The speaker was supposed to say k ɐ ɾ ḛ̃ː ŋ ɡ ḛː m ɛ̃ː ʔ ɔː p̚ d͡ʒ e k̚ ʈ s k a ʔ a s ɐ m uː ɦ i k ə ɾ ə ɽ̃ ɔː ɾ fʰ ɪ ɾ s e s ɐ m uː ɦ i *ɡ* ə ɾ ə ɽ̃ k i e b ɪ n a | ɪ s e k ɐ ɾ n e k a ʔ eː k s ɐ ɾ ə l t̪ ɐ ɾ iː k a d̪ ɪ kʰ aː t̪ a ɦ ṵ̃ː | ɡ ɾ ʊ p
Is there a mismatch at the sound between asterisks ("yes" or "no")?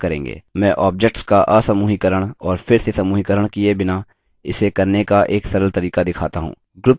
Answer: yes